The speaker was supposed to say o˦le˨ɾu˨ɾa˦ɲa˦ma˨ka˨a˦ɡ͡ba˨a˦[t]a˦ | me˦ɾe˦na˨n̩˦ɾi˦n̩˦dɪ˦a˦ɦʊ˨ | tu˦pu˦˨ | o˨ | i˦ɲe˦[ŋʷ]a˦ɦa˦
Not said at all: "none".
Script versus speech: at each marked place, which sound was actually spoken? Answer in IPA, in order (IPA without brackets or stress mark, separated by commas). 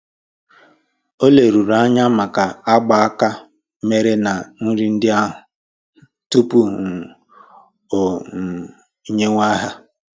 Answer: k, ŋʷ